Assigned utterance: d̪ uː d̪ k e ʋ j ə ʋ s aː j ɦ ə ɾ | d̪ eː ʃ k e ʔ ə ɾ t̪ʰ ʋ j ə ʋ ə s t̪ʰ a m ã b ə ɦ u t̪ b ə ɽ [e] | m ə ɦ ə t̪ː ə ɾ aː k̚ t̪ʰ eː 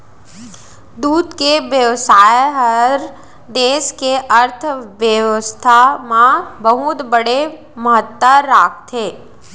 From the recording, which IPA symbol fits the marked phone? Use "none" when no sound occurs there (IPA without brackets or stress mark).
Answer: e